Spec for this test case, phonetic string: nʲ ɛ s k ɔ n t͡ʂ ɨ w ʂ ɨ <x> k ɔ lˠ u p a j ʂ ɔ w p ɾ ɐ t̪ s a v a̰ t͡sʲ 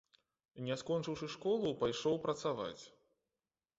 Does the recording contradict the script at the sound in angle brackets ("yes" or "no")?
yes